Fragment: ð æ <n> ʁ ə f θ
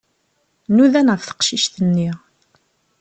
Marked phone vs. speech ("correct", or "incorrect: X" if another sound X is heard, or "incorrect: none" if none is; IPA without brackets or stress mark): correct